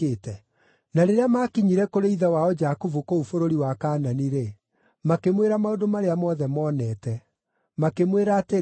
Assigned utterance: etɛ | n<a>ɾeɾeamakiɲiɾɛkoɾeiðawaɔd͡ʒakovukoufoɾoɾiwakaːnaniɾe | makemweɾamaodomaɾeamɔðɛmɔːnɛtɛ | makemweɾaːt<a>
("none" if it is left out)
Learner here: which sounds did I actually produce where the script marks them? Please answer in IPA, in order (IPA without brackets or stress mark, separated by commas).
a, e